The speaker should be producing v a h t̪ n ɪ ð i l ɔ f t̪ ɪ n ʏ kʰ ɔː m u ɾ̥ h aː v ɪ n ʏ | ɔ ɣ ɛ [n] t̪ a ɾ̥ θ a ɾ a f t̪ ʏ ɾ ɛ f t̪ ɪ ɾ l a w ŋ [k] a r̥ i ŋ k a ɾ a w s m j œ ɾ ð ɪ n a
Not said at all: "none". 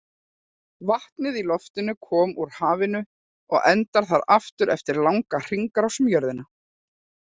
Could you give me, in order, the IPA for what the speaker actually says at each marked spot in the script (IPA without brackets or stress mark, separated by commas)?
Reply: n, k